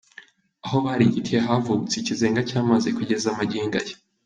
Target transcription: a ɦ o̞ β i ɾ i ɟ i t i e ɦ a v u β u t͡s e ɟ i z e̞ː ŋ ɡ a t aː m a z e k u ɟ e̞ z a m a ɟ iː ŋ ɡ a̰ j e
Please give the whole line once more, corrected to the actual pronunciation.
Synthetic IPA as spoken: a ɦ o̞ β a ɾ i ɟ i t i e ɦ a v u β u t͡s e c i z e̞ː ŋ ɡ a c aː m a z e k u ɟ e̞ z a m a ɟ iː ŋ ɡ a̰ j e